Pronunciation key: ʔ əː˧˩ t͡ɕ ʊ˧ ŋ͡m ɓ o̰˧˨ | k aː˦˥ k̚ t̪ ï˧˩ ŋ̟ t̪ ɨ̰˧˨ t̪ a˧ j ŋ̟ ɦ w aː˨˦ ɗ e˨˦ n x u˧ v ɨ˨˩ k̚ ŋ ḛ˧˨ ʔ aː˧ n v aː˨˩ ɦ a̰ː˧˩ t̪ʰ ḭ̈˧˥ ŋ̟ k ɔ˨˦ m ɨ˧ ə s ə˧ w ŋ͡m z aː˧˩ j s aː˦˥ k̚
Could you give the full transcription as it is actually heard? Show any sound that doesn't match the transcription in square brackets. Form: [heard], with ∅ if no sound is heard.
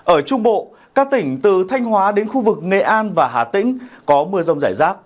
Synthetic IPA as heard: ʔ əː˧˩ t͡ɕ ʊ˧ ŋ͡m ɓ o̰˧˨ | k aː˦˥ k̚ t̪ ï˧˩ ŋ̟ t̪ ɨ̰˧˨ [t̪ʰ] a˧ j ŋ̟ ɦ w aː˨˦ ɗ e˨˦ n x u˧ v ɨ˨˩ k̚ ŋ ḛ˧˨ ʔ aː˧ n v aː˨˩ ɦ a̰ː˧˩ [t̪] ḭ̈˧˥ ŋ̟ k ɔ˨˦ m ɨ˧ ə [z] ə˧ w ŋ͡m z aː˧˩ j [z] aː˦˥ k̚